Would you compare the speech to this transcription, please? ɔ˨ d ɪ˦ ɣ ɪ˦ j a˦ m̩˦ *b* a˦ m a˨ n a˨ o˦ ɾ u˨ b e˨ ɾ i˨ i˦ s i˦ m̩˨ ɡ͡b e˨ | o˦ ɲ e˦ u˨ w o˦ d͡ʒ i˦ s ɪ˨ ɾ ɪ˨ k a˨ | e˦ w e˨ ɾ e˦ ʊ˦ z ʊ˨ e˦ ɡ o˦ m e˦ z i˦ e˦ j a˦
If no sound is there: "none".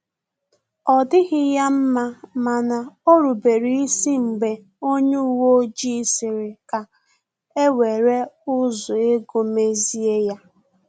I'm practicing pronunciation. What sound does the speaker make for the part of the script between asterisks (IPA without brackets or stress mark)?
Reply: m